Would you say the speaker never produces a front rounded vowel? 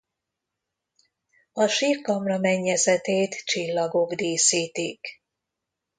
yes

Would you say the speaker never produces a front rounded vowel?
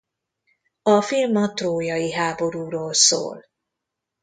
yes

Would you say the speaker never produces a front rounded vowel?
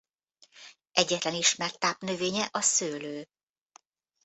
no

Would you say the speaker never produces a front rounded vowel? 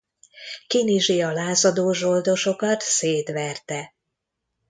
yes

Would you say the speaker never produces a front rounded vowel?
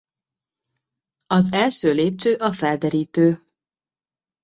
no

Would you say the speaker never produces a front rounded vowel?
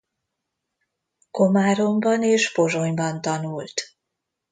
yes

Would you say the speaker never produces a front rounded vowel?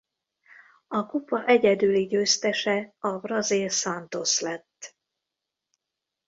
no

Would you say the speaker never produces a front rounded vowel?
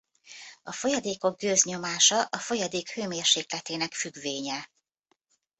no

